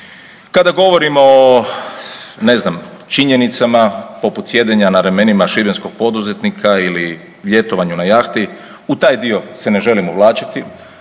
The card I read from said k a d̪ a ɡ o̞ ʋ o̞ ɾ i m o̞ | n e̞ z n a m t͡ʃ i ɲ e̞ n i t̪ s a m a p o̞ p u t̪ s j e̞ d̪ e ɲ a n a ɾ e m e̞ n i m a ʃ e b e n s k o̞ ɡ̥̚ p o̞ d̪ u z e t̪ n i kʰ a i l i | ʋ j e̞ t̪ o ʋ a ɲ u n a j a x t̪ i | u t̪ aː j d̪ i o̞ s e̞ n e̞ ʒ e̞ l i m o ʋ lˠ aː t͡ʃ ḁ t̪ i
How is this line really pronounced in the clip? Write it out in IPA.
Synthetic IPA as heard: k a d̪ a ɡ o̞ ʋ o̞ ɾ i m o̞ | n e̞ z n a m t͡ʃ i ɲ e̞ n i t̪ s a m a p o̞ p u t̪ s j e̞ d̪ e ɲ a n a ɾ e m e̞ n i m a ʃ i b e n s k o̞ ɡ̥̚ p o̞ d̪ u z e t̪ n i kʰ a i l i | ʋ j e̞ t̪ o ʋ a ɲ u n a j a x t̪ i | u t̪ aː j d̪ i o̞ s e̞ n e̞ ʒ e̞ l i m o ʋ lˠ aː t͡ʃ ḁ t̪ i